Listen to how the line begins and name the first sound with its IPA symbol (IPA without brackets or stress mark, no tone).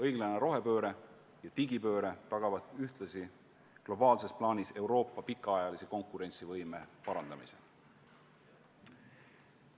ɤ